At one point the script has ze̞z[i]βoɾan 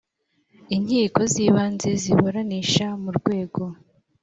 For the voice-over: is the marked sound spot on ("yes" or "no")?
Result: yes